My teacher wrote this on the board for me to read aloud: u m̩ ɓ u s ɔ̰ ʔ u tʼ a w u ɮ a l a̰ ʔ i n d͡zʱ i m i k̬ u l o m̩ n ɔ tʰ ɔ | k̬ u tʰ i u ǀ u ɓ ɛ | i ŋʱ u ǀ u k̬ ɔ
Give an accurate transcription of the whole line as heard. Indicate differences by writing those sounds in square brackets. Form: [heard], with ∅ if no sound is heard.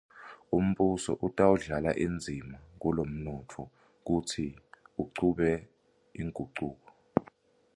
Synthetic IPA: u m̩ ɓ u s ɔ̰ ʔ u tʼ a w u ɮ a l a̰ ʔ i n d͡zʱ i m [a] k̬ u l o m̩ n ɔ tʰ ɔ | k̬ u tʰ i u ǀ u ɓ ɛ | i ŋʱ u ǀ [uː] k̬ ɔ